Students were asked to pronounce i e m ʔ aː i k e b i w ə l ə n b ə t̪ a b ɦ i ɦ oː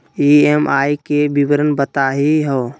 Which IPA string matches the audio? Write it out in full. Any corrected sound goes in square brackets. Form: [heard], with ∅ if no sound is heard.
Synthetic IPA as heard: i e m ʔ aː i k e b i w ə [ɾ] ə n b ə t̪ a [∅] ɦ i ɦ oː